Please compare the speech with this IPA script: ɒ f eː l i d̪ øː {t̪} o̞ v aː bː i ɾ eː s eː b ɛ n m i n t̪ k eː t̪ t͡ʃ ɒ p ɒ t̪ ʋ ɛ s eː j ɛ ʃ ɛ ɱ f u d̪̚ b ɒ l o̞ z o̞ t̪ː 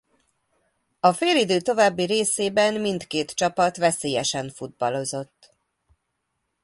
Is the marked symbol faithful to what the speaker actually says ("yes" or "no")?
yes